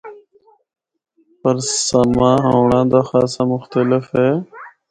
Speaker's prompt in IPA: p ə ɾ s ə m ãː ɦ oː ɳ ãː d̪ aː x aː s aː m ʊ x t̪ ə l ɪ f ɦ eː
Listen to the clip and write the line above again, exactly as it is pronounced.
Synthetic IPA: p ə ɾ s ə m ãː ɦ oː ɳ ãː d̪ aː x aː s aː m ʊ x t̪ ə l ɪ f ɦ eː